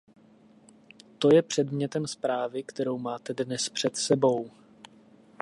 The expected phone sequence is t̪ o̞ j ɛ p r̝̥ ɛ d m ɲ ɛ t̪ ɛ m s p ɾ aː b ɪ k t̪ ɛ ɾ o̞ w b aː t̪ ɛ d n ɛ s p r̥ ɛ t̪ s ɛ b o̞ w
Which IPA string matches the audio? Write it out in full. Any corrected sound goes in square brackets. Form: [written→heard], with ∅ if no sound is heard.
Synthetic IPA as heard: t̪ o̞ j ɛ p r̝̥ ɛ d m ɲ ɛ t̪ ɛ m s p ɾ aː [b→v] ɪ k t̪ ɛ ɾ o̞ w [b→m] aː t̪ ɛ d n ɛ s p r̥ ɛ t̪ s ɛ b o̞ w

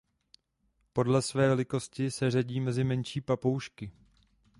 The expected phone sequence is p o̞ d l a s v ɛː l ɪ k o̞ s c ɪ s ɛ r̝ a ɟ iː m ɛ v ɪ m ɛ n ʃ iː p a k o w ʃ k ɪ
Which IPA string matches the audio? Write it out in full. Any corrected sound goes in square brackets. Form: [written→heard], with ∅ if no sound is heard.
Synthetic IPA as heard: p o̞ d l [a→ɛ] s v ɛː l ɪ k o̞ s c ɪ s ɛ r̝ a ɟ iː m ɛ [v→z] ɪ m ɛ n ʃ iː p a [k→p] o w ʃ k ɪ

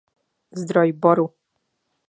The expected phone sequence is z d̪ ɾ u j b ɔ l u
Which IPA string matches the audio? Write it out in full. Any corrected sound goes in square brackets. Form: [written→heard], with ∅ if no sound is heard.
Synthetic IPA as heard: z d̪ ɾ [u→ɔ] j b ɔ [l→ɾ] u

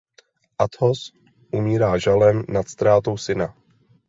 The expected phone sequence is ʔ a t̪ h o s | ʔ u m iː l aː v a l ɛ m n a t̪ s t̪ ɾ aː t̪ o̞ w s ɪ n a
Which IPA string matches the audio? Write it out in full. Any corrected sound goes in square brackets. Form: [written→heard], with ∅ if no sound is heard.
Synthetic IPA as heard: ʔ a t̪ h o s | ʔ u m iː [l→ɾ] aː [v→ʒ] a l ɛ m n a t̪ s t̪ ɾ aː t̪ o̞ w s ɪ n a

